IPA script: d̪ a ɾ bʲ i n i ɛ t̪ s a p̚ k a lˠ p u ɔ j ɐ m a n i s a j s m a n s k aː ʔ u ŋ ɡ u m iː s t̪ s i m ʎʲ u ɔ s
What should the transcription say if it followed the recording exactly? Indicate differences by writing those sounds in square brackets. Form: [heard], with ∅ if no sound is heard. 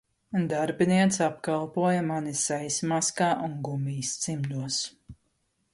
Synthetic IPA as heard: d̪ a ɾ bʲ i n i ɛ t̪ s a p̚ k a lˠ p u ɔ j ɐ m a n i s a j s m a [∅] s k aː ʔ u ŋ ɡ u m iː s t̪ s i m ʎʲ u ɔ s